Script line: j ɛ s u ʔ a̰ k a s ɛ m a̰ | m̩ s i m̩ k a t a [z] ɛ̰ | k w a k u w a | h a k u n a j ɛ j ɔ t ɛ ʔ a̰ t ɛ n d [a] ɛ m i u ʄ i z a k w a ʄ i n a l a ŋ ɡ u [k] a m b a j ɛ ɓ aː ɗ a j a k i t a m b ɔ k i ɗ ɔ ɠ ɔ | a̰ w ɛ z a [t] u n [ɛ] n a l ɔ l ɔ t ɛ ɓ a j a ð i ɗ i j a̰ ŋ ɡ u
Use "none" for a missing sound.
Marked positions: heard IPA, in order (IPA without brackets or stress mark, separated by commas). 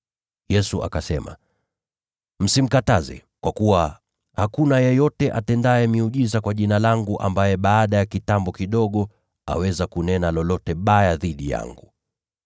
z, a, ʔ, k, ɛ